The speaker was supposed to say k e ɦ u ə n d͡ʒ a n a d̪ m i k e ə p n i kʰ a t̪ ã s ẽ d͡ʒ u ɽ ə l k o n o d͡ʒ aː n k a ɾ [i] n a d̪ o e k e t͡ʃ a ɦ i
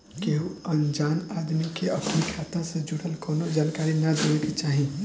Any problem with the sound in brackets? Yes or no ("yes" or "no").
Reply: no